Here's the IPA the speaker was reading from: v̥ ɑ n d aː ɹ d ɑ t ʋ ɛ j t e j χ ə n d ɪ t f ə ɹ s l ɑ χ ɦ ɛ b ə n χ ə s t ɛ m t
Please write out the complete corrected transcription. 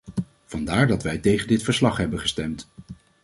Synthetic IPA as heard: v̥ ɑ n d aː ɹ d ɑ t ʋ ɛ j t e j χ ə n d ɪ t f ə ɹ s l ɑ χ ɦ ɛ b ə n χ ə s t ɛ m t